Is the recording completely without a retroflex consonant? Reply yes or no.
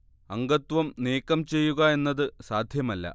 yes